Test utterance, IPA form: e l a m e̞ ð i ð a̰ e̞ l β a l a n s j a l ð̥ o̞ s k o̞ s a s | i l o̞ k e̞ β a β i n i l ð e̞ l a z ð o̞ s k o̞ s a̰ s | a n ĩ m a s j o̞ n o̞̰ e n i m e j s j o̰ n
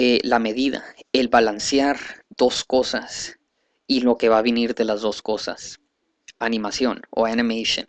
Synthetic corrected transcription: e l a m e̞ ð i ð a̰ e̞ l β a l a n s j a ɾ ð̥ o̞ s k o̞ s a s | i l o̞ k e̞ β a β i n i ɾ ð e̞ l a z ð o̞ s k o̞ s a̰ s | a n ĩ m a s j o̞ n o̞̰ a n i m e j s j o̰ n